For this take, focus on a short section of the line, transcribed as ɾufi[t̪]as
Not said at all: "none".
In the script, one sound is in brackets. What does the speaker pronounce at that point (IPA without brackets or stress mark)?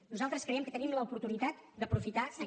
t̪